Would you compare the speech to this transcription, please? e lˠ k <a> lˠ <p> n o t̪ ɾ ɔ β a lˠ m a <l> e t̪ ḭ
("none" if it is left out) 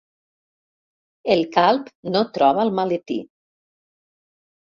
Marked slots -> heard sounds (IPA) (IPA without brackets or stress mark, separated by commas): a, p, l